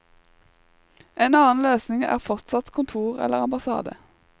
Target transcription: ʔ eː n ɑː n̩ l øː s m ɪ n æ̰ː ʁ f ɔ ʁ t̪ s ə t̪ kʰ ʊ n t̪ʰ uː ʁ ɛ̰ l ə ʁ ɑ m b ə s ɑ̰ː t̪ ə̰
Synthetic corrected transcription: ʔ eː n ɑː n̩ l øː s n ɪ ŋ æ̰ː ʁ f ɔ ʁ t̪ s ɑ t̪ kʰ ʊ n t̪ʰ uː ʁ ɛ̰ l ə ʁ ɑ m b ɑ s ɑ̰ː d̪ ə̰